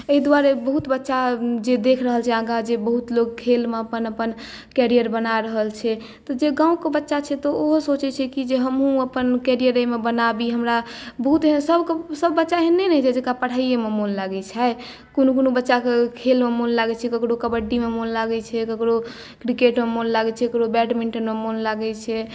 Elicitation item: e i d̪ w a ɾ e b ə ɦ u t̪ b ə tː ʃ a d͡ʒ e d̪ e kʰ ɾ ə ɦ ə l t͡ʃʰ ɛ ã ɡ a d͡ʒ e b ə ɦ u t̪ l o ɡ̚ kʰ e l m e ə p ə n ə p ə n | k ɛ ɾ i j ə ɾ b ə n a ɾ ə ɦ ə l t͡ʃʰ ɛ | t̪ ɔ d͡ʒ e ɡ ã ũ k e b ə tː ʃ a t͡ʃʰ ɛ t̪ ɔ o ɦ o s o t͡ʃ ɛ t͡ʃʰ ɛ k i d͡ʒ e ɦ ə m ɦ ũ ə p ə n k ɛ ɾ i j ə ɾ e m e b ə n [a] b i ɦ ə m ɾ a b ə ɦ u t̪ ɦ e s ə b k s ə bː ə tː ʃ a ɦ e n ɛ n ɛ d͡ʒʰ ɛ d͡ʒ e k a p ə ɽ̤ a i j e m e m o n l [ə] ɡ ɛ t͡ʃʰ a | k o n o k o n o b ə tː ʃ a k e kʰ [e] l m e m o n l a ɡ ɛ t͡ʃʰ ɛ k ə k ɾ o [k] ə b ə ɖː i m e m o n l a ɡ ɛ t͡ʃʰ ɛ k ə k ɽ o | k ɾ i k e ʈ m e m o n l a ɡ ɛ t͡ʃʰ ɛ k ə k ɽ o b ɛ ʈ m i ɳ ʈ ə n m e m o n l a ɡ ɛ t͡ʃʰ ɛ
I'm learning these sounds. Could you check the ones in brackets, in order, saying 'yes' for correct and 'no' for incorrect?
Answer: yes, no, yes, yes

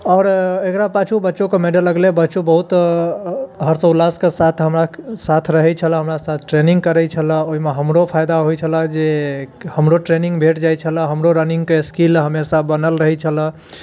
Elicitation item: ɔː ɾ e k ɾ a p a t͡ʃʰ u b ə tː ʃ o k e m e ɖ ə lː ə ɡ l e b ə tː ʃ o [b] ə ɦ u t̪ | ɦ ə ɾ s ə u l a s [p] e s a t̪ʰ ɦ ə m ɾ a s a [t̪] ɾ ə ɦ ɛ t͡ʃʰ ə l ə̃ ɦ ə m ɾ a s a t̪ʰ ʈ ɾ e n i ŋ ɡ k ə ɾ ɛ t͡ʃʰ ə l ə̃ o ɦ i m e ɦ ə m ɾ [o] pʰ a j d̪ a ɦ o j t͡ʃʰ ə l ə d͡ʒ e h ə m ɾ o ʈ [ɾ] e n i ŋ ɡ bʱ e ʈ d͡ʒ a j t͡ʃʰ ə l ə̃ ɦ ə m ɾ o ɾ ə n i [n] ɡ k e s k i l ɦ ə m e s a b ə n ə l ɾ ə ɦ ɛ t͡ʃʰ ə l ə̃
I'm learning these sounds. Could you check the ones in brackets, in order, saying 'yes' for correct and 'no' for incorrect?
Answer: yes, no, no, yes, yes, no

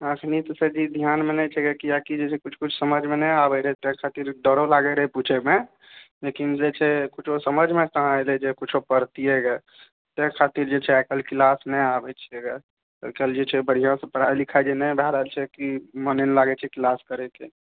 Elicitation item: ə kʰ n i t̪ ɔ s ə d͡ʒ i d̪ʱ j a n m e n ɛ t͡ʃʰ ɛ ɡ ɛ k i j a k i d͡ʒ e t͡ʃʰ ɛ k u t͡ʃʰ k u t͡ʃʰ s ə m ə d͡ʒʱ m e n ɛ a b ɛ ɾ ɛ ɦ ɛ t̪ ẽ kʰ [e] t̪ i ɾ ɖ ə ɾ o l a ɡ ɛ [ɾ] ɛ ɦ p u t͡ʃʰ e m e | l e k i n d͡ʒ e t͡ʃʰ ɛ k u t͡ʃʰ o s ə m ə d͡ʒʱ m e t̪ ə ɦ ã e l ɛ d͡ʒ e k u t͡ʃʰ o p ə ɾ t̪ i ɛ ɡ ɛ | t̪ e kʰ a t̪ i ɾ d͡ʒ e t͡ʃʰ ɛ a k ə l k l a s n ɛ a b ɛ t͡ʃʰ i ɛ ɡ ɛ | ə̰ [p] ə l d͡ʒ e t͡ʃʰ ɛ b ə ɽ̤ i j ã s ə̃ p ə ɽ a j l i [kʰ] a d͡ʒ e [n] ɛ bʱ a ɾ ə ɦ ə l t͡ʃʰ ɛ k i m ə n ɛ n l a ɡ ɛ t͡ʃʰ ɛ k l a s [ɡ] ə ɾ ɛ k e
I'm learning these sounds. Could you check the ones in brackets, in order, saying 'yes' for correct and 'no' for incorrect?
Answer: no, yes, no, yes, yes, no

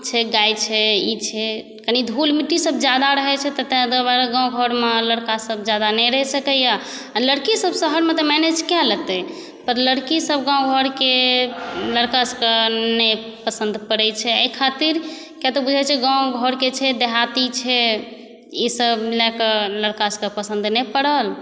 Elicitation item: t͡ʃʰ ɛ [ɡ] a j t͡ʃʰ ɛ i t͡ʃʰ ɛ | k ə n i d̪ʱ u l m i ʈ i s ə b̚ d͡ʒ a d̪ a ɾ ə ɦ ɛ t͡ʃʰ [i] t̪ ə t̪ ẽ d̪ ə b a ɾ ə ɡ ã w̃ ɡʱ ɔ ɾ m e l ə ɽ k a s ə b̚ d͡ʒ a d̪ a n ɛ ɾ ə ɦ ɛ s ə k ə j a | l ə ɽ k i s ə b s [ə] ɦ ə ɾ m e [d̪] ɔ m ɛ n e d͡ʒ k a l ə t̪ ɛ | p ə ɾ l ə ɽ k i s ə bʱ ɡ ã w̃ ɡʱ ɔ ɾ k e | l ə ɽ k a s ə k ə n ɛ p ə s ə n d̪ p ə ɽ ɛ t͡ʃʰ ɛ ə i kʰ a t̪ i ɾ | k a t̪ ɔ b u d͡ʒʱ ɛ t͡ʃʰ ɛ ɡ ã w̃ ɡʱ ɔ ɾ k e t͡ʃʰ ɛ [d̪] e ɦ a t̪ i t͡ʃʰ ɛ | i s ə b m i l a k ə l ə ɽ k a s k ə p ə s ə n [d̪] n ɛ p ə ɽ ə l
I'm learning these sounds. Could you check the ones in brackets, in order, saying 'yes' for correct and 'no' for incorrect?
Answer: yes, no, yes, no, yes, yes

